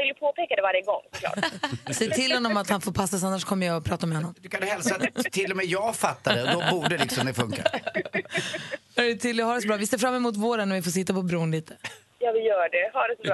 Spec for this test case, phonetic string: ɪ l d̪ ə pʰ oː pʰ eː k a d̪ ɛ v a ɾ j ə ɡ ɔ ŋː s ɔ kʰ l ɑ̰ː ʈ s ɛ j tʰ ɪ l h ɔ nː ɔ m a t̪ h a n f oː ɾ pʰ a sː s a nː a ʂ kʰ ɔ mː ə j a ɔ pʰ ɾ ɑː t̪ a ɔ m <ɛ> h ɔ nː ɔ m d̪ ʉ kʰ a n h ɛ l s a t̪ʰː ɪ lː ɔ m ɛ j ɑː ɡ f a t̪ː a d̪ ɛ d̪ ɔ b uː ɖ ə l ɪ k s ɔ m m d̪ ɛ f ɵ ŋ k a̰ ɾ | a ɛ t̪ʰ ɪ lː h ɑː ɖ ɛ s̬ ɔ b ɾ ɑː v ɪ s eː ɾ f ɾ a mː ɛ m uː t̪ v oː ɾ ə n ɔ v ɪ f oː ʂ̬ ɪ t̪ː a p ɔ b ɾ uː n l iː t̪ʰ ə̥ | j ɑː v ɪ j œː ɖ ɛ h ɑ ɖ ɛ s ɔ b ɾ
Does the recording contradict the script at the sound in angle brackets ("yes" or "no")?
no